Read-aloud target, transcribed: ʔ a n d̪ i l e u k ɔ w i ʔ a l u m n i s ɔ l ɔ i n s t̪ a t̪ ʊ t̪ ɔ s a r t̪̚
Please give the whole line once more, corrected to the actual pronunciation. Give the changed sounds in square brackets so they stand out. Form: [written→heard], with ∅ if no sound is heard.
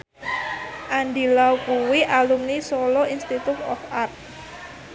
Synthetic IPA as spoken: ʔ a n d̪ i l [e→a] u k [ɔ→u] w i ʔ a l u m n i s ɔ l ɔ i n s t̪ [a→i] t̪ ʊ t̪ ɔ [s→f] a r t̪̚